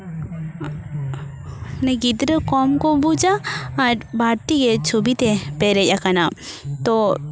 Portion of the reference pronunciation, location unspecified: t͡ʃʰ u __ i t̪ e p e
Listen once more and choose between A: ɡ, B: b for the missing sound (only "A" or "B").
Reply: B